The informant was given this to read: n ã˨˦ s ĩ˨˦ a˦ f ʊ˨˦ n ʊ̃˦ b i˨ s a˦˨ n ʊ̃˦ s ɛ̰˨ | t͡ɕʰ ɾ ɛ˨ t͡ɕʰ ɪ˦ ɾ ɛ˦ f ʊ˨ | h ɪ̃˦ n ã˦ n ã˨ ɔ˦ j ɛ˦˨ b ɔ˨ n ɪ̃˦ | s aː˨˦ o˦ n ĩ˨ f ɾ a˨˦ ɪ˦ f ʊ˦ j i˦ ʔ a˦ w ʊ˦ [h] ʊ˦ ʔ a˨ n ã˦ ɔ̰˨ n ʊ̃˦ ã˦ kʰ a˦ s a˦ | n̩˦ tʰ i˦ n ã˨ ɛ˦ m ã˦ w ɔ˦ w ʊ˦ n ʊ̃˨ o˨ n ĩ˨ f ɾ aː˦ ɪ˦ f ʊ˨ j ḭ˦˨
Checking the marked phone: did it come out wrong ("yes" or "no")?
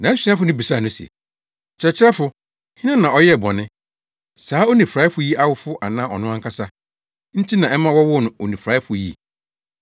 yes